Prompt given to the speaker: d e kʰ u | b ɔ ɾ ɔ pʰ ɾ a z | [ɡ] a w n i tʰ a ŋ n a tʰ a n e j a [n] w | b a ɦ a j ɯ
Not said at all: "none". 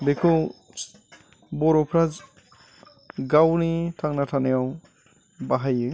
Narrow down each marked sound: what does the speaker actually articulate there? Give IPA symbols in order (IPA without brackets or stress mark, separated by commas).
ɡ, none